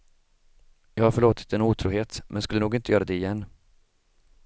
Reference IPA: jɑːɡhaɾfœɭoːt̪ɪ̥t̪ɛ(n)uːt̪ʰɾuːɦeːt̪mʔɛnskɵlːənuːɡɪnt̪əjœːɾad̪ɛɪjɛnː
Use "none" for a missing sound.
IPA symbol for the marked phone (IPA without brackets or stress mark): n